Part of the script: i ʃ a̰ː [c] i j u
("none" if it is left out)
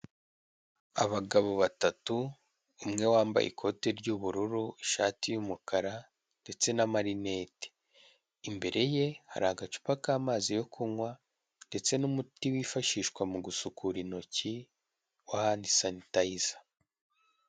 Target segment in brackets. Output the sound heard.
t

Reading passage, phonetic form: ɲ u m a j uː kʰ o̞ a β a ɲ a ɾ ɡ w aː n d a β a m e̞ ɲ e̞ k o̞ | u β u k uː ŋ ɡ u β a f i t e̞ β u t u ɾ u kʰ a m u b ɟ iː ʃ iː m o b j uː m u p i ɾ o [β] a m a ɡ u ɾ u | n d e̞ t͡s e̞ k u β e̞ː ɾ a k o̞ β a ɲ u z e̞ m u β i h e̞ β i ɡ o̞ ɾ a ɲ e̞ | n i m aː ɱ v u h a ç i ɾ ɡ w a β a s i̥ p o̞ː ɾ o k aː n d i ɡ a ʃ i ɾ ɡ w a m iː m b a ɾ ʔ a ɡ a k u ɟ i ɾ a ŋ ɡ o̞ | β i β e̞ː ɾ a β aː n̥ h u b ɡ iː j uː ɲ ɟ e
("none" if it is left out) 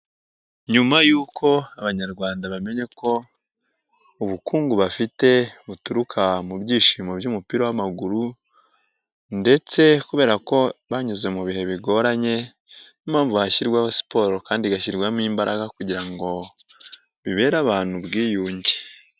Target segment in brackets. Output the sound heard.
w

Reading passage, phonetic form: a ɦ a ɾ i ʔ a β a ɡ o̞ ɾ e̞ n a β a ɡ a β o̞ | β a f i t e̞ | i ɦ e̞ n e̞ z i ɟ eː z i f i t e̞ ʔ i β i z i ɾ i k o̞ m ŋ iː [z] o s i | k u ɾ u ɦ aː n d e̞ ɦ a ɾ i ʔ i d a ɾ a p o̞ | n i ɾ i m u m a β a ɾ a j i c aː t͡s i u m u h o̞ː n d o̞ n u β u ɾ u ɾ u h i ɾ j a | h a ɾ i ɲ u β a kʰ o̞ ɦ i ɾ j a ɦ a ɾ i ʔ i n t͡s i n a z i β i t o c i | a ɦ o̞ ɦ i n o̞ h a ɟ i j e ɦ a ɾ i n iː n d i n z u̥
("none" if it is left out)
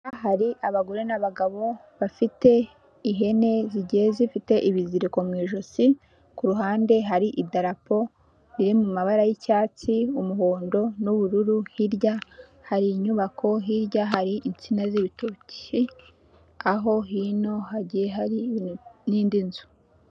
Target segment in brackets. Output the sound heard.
ʒ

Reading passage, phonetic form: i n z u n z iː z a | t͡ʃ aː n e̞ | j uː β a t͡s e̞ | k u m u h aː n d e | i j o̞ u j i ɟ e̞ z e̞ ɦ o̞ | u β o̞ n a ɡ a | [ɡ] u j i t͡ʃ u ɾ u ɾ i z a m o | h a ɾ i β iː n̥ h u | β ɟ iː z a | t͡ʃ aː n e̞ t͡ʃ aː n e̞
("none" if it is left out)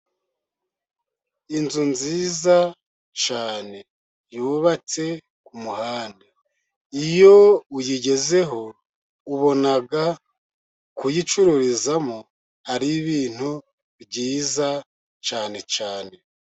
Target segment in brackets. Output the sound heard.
k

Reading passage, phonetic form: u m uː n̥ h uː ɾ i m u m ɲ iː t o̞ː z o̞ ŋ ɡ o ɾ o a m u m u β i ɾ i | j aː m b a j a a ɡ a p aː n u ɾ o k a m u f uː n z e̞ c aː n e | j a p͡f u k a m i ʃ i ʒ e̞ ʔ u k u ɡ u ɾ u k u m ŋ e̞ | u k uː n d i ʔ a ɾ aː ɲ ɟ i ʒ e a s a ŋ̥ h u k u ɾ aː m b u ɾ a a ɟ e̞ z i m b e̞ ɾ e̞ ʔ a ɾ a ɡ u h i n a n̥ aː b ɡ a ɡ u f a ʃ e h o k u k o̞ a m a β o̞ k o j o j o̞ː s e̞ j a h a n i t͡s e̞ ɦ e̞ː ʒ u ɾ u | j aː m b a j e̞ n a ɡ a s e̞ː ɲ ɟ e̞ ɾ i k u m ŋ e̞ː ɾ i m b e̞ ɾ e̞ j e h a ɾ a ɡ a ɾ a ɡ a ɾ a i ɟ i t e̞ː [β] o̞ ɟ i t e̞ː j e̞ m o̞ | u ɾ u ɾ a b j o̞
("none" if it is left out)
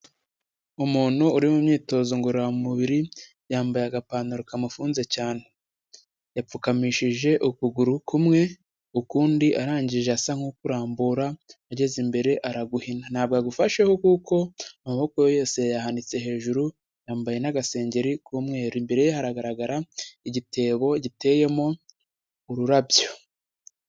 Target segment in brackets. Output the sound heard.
β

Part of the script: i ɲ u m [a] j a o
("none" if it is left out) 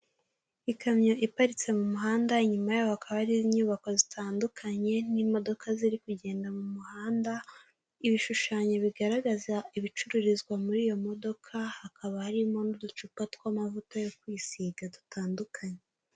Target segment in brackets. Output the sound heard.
a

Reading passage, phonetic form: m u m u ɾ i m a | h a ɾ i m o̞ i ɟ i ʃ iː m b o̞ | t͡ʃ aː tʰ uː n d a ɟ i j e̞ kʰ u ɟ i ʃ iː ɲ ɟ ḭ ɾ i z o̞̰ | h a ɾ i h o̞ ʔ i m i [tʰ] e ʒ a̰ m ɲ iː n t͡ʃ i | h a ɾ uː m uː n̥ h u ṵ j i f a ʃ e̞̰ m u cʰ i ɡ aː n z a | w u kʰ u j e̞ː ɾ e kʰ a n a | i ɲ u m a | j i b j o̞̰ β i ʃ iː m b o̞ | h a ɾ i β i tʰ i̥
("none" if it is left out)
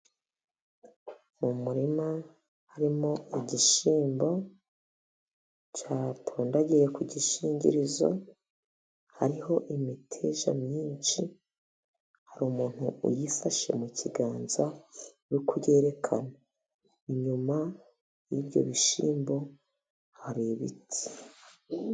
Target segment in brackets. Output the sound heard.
tʰ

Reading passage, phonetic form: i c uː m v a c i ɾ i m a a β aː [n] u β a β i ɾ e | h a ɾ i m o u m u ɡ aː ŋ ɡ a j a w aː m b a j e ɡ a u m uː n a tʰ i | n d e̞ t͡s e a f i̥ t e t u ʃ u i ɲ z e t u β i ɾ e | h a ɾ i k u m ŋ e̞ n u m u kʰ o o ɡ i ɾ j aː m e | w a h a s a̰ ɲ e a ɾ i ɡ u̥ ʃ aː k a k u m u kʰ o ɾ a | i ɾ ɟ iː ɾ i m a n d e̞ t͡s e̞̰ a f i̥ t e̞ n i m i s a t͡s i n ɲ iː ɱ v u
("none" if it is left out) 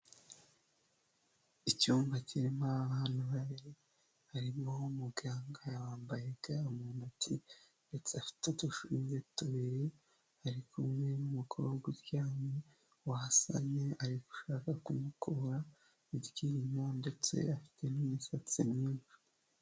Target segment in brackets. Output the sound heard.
n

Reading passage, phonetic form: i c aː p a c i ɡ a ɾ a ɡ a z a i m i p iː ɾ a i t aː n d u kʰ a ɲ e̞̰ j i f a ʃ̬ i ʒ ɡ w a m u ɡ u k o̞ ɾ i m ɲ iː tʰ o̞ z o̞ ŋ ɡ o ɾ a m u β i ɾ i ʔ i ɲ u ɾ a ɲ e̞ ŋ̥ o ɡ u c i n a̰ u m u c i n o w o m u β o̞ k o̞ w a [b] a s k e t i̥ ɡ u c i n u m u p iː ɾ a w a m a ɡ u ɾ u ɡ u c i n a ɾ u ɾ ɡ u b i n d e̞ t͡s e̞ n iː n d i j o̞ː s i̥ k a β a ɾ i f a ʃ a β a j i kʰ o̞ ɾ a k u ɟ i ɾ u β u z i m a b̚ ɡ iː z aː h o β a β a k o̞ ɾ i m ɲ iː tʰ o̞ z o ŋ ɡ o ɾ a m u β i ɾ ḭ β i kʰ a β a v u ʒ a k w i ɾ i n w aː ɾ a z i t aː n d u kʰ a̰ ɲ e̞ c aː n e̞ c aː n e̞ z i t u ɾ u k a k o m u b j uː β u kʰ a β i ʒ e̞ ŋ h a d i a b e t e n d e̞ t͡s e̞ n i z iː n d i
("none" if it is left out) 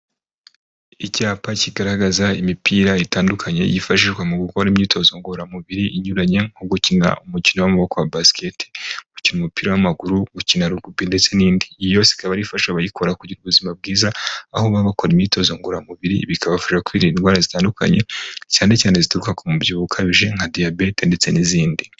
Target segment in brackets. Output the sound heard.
b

